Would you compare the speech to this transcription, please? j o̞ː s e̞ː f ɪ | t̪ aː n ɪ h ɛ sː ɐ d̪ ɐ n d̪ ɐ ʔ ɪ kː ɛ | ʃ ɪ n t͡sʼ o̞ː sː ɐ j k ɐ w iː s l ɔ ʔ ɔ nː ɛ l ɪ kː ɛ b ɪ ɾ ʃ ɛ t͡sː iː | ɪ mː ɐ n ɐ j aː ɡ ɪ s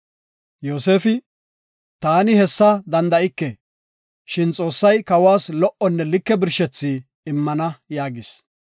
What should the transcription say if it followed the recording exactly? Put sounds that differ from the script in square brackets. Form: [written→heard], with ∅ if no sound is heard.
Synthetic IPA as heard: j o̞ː s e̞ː f ɪ | t̪ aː n ɪ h ɛ sː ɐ d̪ ɐ n d̪ ɐ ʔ ɪ kː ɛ | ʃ ɪ n t͡sʼ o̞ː sː ɐ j k ɐ w [iː→aː] s l ɔ ʔ ɔ nː ɛ l ɪ kː ɛ b ɪ ɾ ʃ ɛ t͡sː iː | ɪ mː ɐ n ɐ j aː ɡ ɪ s